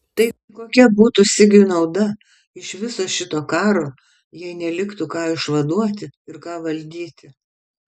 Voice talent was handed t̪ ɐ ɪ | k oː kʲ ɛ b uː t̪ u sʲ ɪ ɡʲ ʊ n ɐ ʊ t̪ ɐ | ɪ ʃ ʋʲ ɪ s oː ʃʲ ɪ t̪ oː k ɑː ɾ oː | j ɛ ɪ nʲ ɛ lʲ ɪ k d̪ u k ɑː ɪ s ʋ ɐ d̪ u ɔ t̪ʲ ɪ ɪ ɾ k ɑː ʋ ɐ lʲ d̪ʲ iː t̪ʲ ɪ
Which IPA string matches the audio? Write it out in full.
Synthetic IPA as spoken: t̪ ɐ ɪ | k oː kʲ ɛ b uː t̪ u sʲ ɪ ɡʲ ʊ n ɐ ʊ d̪ ɐ | ɪ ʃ ʋʲ ɪ s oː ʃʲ ɪ t̪ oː k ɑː ɾ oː | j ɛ ɪ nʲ ɛ lʲ ɪ k t̪ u k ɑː ɪ ʃ ʋ ɐ d̪ u ɔ t̪ʲ ɪ ɪ ɾ k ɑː ʋ ɐ lʲ d̪ʲ iː t̪ʲ ɪ